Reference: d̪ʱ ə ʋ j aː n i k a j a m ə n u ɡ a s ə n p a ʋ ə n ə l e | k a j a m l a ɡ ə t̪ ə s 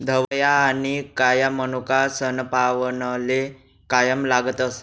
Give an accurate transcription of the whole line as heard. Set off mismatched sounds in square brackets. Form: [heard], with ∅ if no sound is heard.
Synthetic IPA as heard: d̪ʱ ə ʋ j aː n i k a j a m ə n u [k] a s ə n p a ʋ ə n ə l e | k a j [ə] m l a ɡ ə t̪ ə s